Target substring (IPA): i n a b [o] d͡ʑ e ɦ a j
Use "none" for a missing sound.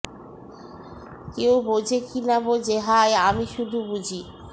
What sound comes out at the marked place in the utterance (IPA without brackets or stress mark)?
o